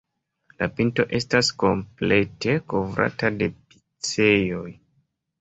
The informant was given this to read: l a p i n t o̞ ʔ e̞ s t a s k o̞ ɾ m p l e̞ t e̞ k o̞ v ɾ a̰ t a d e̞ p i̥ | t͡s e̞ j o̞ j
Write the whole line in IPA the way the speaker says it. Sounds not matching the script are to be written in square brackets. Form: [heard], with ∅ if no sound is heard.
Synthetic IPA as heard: l a p i n t o̞ ʔ e̞ s t a s k o̞ [∅] m p l e̞ t e̞ k o̞ v ɾ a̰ t a d e̞ p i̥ | t͡s e̞ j o̞ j